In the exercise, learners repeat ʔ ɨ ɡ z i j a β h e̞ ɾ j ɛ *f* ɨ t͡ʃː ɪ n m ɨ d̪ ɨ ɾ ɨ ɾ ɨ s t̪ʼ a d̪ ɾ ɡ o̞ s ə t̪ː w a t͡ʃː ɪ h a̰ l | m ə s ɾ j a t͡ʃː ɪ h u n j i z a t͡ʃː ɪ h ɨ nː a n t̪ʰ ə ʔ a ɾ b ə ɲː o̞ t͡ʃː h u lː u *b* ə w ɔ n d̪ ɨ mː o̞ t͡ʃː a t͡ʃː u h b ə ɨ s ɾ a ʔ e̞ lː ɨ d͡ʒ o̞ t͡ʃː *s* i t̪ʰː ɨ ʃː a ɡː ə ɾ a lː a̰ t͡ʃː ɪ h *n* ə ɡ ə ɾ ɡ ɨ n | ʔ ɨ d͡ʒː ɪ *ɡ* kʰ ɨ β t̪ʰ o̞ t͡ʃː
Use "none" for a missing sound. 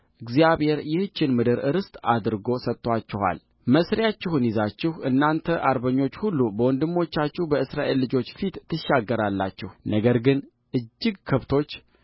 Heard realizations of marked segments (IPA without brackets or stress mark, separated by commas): h, b, f, n, ɡ